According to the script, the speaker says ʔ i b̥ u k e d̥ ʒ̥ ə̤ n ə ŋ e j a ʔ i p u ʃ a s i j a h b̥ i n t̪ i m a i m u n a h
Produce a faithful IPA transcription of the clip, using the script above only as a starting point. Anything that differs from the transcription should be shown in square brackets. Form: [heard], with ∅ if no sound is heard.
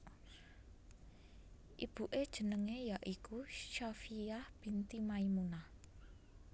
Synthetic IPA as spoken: ʔ i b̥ u [ʔ] e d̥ ʒ̥ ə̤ n ə ŋ e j a ʔ i [k] u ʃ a [f] i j a h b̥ i n t̪ i m a i m u n a h